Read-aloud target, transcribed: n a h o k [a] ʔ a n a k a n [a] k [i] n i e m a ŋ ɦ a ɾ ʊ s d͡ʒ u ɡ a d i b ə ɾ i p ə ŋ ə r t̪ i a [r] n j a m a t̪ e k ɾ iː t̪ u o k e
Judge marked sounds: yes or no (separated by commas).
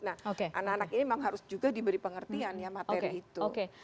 no, yes, yes, no